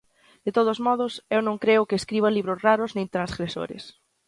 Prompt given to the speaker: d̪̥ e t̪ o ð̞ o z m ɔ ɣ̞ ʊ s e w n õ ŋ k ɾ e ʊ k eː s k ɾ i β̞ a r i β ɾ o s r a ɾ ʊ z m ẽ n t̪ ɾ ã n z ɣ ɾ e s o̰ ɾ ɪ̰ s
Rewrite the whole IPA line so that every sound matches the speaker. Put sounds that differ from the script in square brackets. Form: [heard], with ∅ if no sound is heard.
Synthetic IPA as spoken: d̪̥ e t̪ o ð̞ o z m ɔ [ð̞] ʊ s e w n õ ŋ k ɾ e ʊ k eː s k ɾ i β̞ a [l] i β ɾ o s r a ɾ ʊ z [n] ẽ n t̪ ɾ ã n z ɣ ɾ e s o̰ ɾ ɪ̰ s